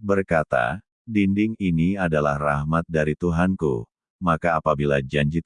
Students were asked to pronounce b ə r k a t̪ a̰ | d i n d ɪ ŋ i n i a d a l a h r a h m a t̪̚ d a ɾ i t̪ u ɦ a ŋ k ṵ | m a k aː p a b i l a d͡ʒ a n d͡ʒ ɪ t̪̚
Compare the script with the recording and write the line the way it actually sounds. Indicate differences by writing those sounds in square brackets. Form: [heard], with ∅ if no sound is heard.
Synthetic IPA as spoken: b ə r k a t̪ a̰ | d i n d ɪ ŋ i n i a d a l a h r a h m a t̪̚ d a ɾ i t̪ u ɦ a [n] k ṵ | m a k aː p a b i l a d͡ʒ a [ɲ] d͡ʒ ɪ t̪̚